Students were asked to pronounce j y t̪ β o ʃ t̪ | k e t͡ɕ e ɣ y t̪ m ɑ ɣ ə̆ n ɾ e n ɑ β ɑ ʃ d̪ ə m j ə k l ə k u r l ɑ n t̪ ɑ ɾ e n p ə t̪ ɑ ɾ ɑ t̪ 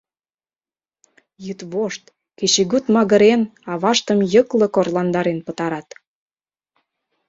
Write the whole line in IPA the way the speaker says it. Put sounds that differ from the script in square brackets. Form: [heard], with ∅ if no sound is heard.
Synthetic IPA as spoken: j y t̪ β o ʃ t̪ | k e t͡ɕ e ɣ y t̪ m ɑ ɣ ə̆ [∅] ɾ e n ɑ β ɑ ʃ [t̪] ə m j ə k l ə k [o] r l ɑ n [d̪] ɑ ɾ e n p ə t̪ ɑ ɾ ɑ t̪

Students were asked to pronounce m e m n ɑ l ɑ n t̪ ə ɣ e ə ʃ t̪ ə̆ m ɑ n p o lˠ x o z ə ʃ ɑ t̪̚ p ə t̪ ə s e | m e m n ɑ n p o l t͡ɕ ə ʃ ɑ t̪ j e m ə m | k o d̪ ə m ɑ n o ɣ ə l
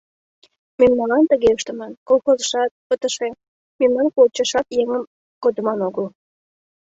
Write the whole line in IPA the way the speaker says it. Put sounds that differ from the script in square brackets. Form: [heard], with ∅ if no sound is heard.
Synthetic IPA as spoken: m e m n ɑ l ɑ n t̪ ə ɣ e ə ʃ t̪ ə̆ m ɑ n [k] o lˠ x o z ə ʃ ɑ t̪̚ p ə t̪ ə [ʃ] e | m e m n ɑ n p o l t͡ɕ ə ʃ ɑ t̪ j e [ŋ] ə m | k o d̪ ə m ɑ n o ɣ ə l

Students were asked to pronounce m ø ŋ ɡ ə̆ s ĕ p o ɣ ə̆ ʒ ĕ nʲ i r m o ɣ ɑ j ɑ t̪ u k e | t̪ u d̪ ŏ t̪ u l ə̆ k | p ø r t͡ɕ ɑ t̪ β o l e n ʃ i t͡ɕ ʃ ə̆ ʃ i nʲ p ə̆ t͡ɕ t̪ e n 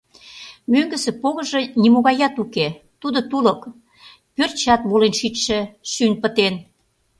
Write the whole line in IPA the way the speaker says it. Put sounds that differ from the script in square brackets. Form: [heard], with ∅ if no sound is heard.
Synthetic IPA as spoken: m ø ŋ ɡ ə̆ s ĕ p o ɣ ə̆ ʒ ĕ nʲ i [∅] m o ɣ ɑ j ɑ t̪ u k e | t̪ u d̪ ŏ t̪ u l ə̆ k | p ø r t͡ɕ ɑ t̪ β o l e n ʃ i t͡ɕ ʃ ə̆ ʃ [y] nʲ p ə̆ [∅] t̪ e n

